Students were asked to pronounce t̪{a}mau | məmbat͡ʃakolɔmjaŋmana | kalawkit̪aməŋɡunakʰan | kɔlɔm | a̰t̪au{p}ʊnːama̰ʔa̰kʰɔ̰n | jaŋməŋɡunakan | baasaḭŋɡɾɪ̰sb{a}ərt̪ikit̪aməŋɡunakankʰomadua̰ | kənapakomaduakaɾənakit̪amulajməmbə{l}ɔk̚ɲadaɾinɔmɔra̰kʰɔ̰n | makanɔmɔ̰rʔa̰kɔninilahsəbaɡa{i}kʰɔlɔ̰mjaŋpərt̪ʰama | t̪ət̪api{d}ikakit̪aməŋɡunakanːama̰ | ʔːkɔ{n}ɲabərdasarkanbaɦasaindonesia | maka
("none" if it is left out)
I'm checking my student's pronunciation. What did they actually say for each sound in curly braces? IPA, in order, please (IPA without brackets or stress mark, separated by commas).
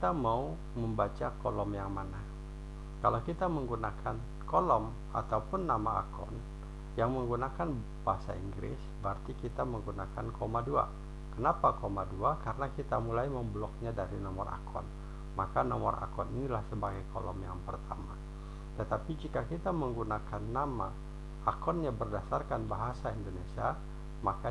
a, p, ə, l, j, d͡ʒ, n